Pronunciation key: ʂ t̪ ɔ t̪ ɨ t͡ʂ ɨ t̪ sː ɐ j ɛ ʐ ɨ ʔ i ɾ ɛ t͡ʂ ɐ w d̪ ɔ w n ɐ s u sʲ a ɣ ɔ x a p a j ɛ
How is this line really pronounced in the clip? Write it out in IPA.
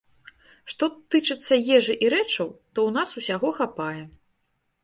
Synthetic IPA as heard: ʂ t̪ ɔ t̪ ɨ t͡ʂ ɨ t̪ sː ɐ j ɛ ʐ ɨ ʔ i ɾ ɛ t͡ʂ ɐ w t̪ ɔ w n a s u sʲ a ɣ ɔ x a p a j ɛ